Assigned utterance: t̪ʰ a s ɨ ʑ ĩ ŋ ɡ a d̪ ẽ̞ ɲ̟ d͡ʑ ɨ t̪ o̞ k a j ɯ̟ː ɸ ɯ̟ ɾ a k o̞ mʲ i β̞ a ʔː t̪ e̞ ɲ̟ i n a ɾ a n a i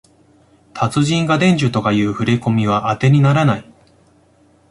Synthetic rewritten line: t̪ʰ a t͡s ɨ ʑ ĩ ŋ ɡ a d̪ ẽ̞ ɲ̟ d͡ʑ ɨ t̪ o̞ k a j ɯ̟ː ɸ ɯ̟ ɾ e k o̞ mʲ i β̞ a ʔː t̪ e̞ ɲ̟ i n a ɾ a n a i